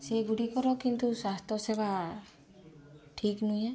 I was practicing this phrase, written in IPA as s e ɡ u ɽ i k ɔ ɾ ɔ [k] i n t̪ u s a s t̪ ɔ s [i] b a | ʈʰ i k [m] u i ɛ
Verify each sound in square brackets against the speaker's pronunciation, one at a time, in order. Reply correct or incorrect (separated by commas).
correct, incorrect, incorrect